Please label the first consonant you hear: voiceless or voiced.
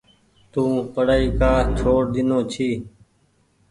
voiceless